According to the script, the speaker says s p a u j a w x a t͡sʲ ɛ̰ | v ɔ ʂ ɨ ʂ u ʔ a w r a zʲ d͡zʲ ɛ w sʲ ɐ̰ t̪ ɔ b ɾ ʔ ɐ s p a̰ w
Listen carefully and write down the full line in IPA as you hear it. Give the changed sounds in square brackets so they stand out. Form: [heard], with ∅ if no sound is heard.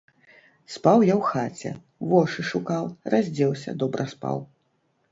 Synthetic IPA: s p a [w] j a w x a t͡sʲ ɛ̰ | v ɔ ʂ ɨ ʂ u [k] a w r a zʲ d͡zʲ ɛ w sʲ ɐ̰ [d̪] ɔ b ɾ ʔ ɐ s p a̰ w

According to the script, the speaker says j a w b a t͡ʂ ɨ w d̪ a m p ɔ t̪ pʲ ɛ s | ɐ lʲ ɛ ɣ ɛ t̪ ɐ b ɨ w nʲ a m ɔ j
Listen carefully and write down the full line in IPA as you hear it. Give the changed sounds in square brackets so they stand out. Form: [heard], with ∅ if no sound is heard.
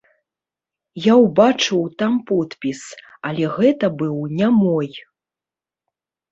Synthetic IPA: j a w b a t͡ʂ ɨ w [t̪] a m p ɔ t̪ pʲ [i] s | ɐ lʲ ɛ ɣ ɛ t̪ ɐ b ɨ w nʲ a m ɔ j

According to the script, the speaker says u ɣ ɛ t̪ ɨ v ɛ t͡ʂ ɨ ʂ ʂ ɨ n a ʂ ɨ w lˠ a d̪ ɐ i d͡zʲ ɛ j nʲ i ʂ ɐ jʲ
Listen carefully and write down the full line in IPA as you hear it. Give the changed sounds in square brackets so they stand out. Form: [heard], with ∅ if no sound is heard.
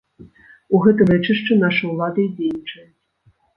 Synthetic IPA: u ɣ ɛ t̪ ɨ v ɛ t͡ʂ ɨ ʂ [t͡ʂ] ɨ n a ʂ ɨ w lˠ a d̪ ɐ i d͡zʲ [e] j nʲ i [t͡ʂ] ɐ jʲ

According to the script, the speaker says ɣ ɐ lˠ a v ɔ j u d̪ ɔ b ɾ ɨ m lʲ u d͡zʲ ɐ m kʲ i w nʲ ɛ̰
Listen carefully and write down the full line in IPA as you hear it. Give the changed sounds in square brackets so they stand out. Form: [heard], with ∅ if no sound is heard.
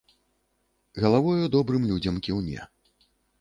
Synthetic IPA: ɣ ɐ lˠ a v ɔ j u d̪ ɔ b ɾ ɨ m lʲ u d͡zʲ ɐ m kʲ i w nʲ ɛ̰

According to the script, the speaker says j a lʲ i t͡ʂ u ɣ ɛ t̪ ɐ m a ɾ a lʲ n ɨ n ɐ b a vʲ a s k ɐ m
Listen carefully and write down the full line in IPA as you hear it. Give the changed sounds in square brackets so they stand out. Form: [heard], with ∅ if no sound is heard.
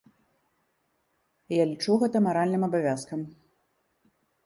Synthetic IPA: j a lʲ i t͡ʂ u ɣ ɛ t̪ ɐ m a ɾ a lʲ n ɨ [m] ɐ b a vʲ a s k ɐ m

